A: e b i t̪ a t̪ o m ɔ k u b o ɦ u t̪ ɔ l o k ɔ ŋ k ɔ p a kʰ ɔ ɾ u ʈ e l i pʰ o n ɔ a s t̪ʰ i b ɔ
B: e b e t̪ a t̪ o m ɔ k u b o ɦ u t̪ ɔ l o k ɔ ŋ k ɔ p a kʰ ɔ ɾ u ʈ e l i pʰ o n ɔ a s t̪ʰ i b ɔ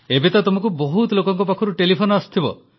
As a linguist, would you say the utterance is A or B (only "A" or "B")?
B